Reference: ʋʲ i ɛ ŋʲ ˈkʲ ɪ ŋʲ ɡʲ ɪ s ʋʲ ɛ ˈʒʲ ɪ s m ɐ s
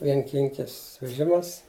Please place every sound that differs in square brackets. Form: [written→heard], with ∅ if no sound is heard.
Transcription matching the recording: ʋʲ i ɛ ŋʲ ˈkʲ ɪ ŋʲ [ɡʲ→kʲ] ɪ s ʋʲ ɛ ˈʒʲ ɪ [s→∅] m ɐ s